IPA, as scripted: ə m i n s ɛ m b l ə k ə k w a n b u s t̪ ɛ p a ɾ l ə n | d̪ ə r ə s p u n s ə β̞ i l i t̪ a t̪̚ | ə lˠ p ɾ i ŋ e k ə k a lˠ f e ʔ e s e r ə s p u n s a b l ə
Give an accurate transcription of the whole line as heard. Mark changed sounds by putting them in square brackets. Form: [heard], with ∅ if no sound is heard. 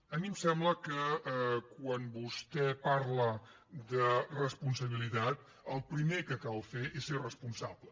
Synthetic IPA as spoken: ə m i [m] s ɛ m b l ə k ə k w a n b u s t̪ ɛ p a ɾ l ə [∅] | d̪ ə r ə s p u n s ə β̞ i l i t̪ a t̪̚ | ə lˠ p ɾ i [m] e k ə k a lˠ f e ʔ e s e r ə s p u n s a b l ə